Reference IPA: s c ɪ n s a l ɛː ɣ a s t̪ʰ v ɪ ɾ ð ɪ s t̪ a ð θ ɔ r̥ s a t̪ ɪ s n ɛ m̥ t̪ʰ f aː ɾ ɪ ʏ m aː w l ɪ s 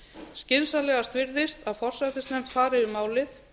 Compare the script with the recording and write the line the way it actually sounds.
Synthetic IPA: s c ɪ n s a l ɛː ɣ a s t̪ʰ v ɪ ɾ ð ɪ s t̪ a ð f ɔ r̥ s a t̪ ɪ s n ɛ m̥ t̪ f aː ɾ ɪ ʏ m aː w l ɪ θ